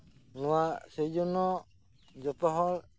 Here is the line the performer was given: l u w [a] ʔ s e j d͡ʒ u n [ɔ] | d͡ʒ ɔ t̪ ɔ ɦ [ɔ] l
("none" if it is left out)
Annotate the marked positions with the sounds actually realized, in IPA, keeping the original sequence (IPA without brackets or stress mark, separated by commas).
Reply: a, ɔ, ɔ